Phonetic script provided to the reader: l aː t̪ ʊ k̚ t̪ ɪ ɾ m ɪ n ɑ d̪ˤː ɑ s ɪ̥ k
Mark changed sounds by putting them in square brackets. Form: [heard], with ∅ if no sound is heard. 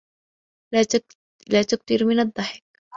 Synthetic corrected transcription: l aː t̪ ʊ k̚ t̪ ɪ ɾ m ɪ n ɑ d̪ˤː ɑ [ħ] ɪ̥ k

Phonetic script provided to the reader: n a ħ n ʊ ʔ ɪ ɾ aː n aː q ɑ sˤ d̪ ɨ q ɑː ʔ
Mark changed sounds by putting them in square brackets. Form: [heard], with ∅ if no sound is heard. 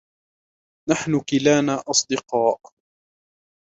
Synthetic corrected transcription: n a ħ n ʊ [k] ɪ [l] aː n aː [ʔ] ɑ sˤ d̪ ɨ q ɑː ʔ

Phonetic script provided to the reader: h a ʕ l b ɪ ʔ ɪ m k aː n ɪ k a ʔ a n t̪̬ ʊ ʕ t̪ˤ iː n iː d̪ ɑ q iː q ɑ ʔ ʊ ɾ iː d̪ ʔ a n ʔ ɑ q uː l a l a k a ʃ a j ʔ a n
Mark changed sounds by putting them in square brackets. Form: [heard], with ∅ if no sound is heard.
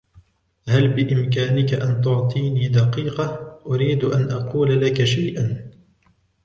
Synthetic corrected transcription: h a [∅] l b ɪ ʔ ɪ m k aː n ɪ k a ʔ a n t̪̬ ʊ ʕ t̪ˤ iː n iː d̪ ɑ q iː q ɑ ʔ ʊ ɾ iː d̪ ʔ a n ʔ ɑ q uː l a l a k a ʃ a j ʔ a n

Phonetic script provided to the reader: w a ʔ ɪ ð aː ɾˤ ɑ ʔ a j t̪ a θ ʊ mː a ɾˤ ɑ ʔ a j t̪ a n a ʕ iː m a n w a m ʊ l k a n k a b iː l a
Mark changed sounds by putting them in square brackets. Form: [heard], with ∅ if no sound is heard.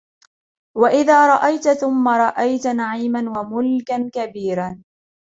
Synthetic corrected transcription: w a ʔ ɪ ð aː ɾˤ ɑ ʔ a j t̪ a θ ʊ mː a ɾˤ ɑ ʔ a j t̪ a n a ʕ iː m a n w a m ʊ l k a n k a b iː [ɾ] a

